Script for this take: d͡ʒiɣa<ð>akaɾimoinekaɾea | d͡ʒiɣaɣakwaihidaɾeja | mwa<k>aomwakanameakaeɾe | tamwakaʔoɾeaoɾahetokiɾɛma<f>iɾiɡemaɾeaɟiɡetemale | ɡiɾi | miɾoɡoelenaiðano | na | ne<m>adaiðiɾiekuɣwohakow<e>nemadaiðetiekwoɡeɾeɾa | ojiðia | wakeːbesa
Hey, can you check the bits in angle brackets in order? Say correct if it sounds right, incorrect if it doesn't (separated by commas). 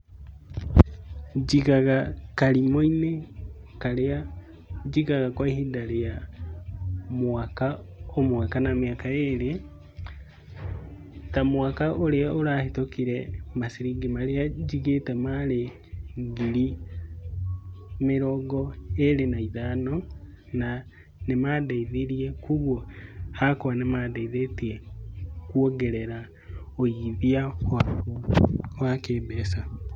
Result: incorrect, correct, incorrect, correct, incorrect